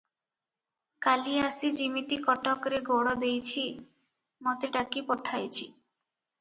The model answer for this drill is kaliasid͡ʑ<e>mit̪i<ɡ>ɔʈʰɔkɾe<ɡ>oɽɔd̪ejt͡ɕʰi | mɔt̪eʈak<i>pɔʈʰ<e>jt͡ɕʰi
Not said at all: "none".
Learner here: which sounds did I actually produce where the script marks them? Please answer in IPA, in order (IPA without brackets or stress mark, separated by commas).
i, k, ɡ, i, a